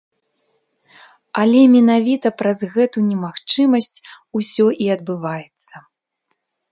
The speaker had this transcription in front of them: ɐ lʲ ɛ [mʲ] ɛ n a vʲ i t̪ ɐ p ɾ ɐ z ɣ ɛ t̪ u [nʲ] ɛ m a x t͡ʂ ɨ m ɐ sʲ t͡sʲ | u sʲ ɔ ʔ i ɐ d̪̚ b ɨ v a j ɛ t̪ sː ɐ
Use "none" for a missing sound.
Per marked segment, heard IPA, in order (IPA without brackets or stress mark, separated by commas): mʲ, nʲ